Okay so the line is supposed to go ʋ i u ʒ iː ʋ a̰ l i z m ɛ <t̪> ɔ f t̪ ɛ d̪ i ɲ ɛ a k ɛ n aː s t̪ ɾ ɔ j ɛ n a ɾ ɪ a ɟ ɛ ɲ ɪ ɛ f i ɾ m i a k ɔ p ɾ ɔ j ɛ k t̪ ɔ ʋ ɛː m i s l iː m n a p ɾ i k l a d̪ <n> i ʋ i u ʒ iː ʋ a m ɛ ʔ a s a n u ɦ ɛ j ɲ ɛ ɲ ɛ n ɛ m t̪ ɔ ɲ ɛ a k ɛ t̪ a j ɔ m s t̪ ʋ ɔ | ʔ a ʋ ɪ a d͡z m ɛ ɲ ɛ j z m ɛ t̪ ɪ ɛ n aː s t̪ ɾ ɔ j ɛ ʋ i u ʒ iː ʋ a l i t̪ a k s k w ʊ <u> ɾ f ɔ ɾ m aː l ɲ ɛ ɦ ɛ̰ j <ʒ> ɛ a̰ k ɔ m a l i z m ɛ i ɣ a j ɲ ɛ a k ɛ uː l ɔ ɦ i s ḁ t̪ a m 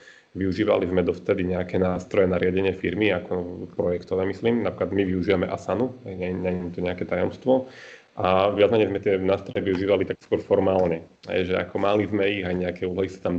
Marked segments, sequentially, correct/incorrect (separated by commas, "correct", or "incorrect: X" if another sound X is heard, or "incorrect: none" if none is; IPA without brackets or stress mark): incorrect: d̪, incorrect: m, incorrect: ɔ, correct